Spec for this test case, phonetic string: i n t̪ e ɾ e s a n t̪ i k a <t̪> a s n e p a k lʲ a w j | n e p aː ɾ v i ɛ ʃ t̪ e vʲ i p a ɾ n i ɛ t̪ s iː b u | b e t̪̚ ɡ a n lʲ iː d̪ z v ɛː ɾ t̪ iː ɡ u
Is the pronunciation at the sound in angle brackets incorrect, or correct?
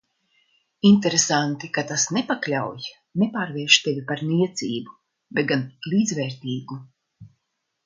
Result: correct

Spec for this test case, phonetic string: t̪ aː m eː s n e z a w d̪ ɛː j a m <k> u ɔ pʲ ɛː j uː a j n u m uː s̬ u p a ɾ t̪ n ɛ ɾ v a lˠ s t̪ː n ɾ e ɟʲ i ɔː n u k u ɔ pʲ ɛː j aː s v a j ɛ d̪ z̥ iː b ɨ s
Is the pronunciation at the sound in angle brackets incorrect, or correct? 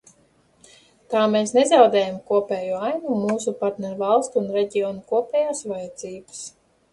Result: correct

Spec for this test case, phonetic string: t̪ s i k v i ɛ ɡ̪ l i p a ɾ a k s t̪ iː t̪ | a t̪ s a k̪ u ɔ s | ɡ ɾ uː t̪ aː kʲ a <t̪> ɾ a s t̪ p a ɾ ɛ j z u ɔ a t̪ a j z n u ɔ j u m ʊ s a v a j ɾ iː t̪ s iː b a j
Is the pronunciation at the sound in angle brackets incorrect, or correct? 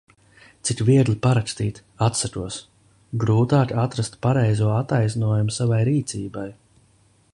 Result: correct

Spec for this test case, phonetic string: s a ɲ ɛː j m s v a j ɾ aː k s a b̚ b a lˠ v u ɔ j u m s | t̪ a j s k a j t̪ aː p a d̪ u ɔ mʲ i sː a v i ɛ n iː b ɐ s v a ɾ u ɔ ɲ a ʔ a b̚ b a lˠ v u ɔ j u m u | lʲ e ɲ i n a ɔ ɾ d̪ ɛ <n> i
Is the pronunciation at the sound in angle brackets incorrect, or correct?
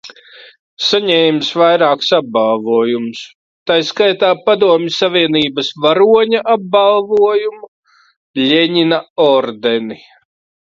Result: correct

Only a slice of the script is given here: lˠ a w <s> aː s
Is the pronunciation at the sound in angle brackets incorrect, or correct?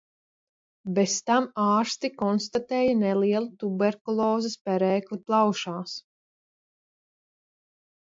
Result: incorrect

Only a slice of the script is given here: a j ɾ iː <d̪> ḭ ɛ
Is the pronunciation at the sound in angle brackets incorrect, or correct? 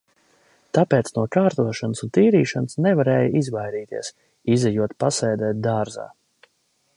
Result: incorrect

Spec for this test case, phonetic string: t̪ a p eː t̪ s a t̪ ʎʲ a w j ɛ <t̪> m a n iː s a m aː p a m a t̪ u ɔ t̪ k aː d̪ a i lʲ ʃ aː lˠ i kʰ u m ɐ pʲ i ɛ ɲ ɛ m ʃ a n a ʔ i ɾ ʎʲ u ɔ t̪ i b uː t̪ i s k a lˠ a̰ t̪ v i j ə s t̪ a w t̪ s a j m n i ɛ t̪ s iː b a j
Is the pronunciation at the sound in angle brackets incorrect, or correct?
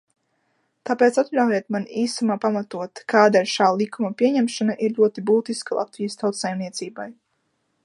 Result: correct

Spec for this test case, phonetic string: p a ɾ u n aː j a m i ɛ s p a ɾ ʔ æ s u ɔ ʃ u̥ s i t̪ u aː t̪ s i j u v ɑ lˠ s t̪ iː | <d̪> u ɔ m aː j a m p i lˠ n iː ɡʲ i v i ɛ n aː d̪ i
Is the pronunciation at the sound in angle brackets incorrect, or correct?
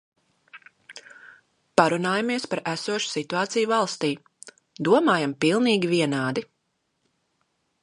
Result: correct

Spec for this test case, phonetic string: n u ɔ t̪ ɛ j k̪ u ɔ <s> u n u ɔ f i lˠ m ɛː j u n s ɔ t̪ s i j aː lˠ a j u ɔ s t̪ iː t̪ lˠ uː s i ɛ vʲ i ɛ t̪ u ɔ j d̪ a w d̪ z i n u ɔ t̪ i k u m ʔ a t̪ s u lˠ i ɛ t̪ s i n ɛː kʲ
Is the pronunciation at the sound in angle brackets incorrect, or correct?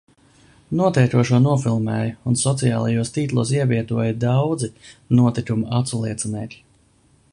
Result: incorrect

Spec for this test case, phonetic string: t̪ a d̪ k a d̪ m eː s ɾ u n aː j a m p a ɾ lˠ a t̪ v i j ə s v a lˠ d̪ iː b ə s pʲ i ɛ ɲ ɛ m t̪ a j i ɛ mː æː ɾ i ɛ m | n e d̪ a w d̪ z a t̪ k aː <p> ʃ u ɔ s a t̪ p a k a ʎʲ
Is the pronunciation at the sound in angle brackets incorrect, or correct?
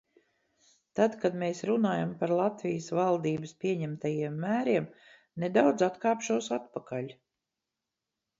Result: correct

